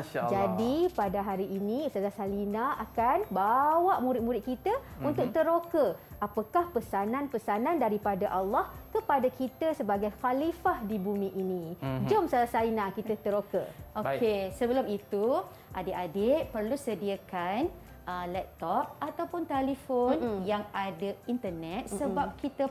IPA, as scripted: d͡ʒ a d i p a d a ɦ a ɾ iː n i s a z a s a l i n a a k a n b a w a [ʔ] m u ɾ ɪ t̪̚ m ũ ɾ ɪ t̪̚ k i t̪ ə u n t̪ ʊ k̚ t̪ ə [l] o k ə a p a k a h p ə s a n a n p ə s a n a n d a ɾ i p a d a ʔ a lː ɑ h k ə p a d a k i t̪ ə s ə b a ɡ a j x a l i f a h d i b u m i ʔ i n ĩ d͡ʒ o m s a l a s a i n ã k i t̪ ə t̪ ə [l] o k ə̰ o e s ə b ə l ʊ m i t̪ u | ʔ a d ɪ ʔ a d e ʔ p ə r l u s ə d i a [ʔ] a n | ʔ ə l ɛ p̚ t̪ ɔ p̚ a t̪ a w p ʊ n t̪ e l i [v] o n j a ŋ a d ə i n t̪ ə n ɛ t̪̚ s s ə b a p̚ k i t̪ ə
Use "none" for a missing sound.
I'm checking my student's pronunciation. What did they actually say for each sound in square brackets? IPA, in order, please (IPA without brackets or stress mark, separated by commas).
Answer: ʔ, ɾ, ɾ, k, f